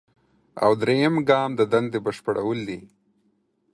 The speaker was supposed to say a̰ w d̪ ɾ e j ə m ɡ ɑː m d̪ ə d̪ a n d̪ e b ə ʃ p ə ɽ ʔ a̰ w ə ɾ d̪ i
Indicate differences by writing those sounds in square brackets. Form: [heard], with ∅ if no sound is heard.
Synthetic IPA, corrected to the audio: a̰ w d̪ ɾ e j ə m ɡ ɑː m d̪ ə d̪ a n d̪ e b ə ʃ p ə ɽ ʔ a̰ w ə [l] d̪ i